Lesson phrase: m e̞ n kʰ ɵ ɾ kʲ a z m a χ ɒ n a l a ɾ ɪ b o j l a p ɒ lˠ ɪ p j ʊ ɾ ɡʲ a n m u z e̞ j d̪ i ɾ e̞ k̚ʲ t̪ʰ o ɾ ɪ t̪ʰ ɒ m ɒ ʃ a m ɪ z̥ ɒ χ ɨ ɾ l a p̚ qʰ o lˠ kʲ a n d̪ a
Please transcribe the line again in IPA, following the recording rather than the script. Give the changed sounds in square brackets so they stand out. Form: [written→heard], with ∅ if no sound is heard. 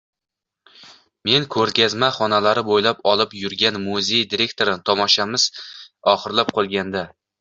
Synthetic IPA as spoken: m e̞ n kʰ ɵ ɾ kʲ a z m a χ ɒ n a l a ɾ ɪ b o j l a p ɒ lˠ ɪ p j ʊ ɾ ɡʲ a n m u z e̞ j d̪ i ɾ e̞ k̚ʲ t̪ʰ o ɾ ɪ t̪ʰ ɒ m ɒ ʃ a m ɪ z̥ ɒ χ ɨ ɾ l a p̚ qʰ o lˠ [kʲ→ɡʲ] a n d̪ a